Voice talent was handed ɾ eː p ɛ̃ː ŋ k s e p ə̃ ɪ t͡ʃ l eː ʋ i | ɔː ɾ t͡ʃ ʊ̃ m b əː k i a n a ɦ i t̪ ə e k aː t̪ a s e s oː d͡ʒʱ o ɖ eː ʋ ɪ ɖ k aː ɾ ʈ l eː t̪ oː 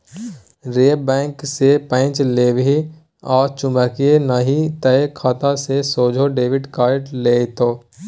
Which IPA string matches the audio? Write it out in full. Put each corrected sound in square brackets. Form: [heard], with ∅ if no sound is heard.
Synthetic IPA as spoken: ɾ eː [b] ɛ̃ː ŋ k s e p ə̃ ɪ t͡ʃ l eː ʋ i | ɔː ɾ t͡ʃ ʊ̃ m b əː k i [e] n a ɦ i t̪ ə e [kʰ] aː t̪ a s e s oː d͡ʒʱ o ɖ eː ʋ ɪ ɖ k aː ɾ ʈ l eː t̪ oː